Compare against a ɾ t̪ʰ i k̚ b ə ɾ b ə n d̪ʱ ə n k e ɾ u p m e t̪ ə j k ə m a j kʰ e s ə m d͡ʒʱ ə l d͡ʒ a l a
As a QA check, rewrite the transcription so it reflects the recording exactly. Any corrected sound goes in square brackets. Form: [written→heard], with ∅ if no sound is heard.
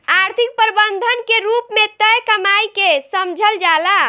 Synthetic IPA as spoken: a ɾ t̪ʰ i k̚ [b→p] ə ɾ b ə n d̪ʱ ə n k e ɾ u p m e t̪ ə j k ə m a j [kʰ→k] e s ə m d͡ʒʱ ə l d͡ʒ a l a